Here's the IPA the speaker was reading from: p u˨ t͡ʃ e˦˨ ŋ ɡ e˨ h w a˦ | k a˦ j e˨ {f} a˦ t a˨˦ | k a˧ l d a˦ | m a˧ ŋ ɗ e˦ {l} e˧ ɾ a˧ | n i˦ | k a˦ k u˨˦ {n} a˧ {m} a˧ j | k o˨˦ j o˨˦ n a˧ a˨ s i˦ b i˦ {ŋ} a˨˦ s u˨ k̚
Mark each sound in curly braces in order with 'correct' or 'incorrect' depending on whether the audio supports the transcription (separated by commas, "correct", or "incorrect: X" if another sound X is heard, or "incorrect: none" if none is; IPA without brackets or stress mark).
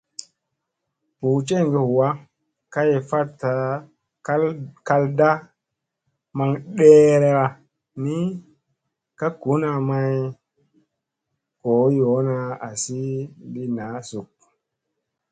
correct, incorrect: ɾ, correct, correct, incorrect: n